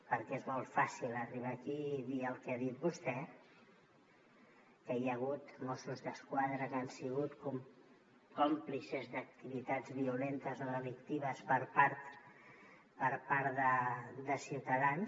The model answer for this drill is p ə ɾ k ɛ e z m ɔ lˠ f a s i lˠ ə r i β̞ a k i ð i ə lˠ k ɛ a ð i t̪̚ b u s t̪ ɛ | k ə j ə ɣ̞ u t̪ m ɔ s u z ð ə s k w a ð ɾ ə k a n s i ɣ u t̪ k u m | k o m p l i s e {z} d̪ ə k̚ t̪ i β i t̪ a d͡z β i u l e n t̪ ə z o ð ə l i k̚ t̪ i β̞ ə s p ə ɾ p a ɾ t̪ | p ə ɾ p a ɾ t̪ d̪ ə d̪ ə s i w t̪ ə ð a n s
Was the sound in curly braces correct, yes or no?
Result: yes